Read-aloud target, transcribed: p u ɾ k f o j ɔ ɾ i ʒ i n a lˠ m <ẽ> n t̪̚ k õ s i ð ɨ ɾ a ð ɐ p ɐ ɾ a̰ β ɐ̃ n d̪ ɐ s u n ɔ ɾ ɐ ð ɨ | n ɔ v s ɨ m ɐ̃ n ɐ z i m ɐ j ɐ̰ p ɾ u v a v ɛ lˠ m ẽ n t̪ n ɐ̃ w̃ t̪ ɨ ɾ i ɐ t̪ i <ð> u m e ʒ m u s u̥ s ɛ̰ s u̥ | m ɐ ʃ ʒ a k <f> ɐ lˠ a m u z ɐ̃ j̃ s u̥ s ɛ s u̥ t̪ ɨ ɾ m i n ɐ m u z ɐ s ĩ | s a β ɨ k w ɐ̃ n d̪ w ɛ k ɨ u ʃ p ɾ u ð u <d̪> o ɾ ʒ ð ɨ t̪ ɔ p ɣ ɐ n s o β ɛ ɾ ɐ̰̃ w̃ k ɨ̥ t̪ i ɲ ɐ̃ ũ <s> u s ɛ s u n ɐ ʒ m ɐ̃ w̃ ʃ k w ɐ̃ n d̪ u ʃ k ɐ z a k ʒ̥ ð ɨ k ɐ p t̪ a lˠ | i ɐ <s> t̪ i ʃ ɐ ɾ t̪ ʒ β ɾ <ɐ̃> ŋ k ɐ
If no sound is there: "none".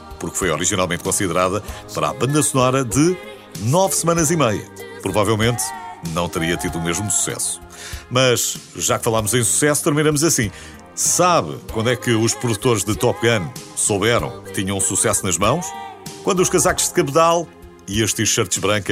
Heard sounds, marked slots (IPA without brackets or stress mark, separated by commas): ẽ, ð, f, t̪, s, ʃ, ɐ̃